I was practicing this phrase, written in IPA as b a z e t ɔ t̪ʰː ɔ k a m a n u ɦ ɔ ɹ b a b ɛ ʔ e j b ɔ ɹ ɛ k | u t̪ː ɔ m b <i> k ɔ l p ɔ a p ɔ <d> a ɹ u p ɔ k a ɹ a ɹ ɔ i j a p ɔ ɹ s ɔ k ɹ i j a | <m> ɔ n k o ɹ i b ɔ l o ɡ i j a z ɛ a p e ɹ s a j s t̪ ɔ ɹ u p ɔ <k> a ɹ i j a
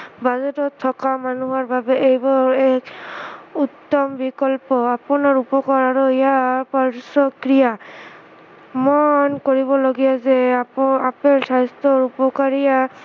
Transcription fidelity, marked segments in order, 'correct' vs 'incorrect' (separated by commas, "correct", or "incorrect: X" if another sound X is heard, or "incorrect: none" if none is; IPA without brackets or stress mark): correct, incorrect: n, correct, correct